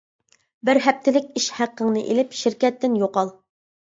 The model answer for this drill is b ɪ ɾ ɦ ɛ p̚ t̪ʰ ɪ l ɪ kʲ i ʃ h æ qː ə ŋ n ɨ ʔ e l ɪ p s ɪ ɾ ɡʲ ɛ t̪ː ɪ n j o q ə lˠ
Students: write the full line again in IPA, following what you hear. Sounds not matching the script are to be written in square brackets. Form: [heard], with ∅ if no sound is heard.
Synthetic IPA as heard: b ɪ ɾ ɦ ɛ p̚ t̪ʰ ɪ l ɪ kʲ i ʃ h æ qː ə ŋ n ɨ ʔ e l ɪ p [ʃ] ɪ ɾ [kʲ] ɛ t̪ː ɪ n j o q [ɑ] lˠ